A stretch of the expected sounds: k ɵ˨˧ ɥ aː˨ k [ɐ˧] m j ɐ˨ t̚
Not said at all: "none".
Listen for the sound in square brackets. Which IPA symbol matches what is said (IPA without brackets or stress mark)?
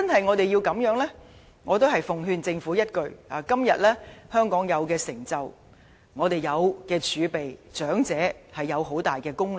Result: ɐ˥